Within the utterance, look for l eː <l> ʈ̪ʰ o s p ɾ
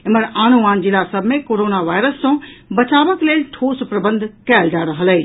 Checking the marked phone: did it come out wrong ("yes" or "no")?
no